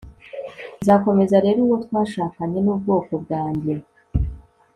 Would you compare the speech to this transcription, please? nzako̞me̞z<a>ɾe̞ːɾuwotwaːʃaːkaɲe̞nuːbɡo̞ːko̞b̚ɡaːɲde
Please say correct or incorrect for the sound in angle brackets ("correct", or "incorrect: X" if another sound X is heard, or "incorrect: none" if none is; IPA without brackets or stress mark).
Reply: correct